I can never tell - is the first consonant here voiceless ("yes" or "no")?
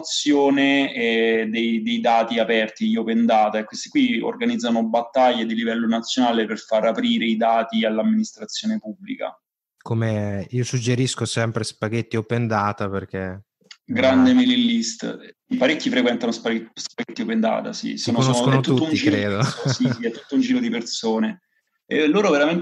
yes